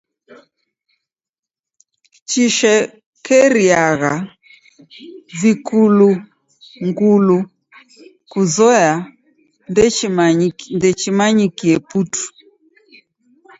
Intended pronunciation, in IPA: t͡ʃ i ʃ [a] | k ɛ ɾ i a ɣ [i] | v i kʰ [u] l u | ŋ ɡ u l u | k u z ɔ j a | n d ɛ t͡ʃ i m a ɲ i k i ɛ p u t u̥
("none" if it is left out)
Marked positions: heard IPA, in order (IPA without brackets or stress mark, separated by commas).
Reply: ɛ, a, u